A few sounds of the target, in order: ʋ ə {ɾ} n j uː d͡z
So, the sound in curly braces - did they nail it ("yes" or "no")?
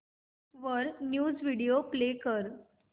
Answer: yes